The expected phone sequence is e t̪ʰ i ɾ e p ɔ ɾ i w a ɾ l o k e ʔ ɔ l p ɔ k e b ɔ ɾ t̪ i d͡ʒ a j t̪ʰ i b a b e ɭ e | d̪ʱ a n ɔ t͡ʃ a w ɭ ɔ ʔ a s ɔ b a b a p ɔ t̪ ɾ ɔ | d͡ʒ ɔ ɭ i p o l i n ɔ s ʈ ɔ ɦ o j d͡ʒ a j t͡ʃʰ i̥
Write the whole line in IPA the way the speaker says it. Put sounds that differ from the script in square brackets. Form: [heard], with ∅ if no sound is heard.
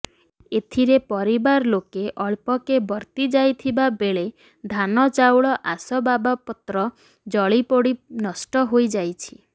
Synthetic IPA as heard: e t̪ʰ i ɾ e p ɔ ɾ i [b] a ɾ l o k e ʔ ɔ [ɭ] p ɔ k e b ɔ ɾ t̪ i d͡ʒ a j t̪ʰ i b a b e ɭ e | d̪ʱ a n ɔ t͡ʃ a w ɭ ɔ ʔ a s ɔ b a b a p ɔ t̪ ɾ ɔ | d͡ʒ ɔ ɭ i p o [ɽ] i n ɔ s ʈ ɔ ɦ o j d͡ʒ a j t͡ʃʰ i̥